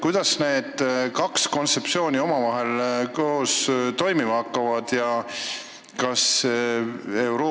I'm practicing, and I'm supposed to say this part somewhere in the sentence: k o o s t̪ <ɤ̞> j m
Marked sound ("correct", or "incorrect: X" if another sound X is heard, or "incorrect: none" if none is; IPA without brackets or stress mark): incorrect: o̞